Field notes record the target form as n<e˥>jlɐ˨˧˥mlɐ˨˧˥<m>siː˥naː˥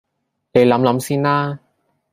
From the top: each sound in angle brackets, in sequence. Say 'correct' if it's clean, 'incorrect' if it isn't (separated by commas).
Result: incorrect, correct